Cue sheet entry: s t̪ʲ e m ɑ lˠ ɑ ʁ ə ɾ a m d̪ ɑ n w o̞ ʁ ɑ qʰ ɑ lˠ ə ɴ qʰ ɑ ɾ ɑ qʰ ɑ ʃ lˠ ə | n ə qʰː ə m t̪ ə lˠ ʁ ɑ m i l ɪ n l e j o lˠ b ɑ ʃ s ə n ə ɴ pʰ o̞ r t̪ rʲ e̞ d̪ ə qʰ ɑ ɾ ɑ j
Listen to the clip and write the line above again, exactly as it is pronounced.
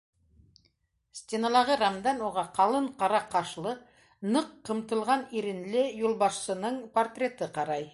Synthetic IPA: s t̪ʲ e n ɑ lˠ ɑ ʁ ə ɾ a m d̪ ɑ n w o̞ ʁ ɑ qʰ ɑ lˠ ə ɴ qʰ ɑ ɾ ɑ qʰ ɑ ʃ lˠ ə | n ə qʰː ə m t̪ ə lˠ ʁ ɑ n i ɾ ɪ n l e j o lˠ b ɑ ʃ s ə n ə ɴ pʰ o̞ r t̪ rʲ e̞ t̪ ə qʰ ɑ ɾ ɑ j